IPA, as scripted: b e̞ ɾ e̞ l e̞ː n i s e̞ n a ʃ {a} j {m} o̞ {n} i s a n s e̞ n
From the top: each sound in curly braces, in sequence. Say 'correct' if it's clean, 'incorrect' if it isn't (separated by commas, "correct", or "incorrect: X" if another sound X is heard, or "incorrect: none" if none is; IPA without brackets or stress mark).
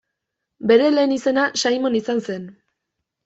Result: correct, correct, correct